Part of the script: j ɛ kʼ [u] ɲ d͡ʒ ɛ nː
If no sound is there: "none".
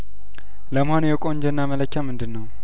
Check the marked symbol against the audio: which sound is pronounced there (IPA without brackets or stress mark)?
o